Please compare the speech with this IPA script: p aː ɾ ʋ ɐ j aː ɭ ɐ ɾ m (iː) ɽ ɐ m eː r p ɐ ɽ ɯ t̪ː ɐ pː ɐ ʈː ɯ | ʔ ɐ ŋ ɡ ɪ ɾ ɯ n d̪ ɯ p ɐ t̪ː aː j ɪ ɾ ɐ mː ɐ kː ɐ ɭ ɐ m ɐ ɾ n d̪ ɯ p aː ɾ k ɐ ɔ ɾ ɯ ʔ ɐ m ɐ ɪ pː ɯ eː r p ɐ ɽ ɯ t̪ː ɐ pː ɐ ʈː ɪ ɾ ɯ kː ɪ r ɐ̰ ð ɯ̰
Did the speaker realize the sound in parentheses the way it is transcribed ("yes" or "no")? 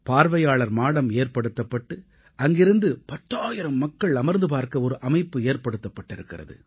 no